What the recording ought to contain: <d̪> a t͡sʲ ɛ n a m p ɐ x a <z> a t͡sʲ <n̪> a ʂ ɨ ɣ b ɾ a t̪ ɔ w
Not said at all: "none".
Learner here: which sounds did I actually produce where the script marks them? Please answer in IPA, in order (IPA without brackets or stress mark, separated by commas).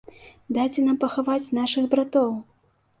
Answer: d̪, v, n̪